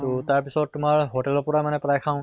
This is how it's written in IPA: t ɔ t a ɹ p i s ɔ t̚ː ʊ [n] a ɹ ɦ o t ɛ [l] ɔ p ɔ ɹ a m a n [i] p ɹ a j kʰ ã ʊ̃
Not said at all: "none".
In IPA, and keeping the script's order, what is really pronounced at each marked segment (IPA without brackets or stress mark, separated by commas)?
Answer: m, l, ɛ